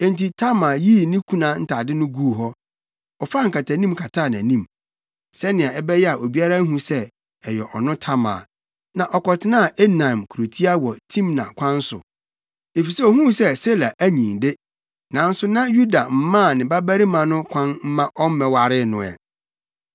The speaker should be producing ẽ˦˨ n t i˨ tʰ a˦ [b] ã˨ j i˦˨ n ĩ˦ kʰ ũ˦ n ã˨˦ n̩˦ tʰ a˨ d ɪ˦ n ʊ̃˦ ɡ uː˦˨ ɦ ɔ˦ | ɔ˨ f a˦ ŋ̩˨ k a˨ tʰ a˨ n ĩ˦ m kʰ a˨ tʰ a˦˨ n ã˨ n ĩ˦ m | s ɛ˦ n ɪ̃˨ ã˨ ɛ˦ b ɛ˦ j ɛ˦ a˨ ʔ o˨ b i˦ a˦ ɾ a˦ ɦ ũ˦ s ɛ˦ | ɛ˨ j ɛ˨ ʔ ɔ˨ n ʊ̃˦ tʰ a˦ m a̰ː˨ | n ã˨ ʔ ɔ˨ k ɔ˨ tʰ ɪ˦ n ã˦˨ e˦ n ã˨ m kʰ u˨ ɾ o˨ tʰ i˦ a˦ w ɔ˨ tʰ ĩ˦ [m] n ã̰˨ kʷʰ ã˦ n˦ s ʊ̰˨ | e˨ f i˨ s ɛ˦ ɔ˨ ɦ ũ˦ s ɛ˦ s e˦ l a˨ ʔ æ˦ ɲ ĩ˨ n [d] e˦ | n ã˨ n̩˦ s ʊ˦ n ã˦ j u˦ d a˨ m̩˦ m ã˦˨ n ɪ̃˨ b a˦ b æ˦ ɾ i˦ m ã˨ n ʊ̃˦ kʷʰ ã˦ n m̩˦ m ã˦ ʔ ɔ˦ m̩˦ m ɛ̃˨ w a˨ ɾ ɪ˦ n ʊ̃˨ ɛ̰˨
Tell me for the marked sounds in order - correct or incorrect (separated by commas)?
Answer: incorrect, correct, correct